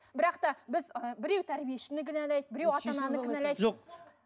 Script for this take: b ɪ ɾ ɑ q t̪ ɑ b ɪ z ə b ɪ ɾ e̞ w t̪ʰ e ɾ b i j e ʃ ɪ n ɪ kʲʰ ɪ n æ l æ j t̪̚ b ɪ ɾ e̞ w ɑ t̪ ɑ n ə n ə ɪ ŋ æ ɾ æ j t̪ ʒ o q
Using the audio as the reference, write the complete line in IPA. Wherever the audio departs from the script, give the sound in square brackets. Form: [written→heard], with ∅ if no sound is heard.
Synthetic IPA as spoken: b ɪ ɾ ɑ q t̪ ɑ b ɪ z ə b ɪ ɾ e̞ w t̪ʰ [e→æ] ɾ b i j e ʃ ɪ n ɪ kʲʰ ɪ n æ l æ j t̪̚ b ɪ ɾ e̞ w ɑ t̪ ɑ n [ə→ɑ] n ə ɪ [ŋ→n] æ [ɾ→l] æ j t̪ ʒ o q